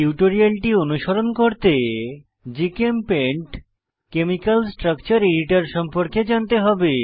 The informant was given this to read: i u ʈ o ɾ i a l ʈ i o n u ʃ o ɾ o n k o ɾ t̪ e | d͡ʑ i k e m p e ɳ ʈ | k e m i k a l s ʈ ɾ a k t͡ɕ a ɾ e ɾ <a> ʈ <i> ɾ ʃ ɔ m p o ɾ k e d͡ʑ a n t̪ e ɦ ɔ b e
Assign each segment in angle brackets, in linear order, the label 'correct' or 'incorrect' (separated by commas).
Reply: incorrect, incorrect